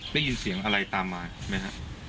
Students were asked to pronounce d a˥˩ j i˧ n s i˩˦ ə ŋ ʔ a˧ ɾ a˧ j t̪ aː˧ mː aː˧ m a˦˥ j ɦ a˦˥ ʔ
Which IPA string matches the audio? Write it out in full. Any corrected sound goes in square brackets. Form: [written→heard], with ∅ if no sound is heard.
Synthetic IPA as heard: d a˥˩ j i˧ n s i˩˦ ə ŋ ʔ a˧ ɾ a˧ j t̪ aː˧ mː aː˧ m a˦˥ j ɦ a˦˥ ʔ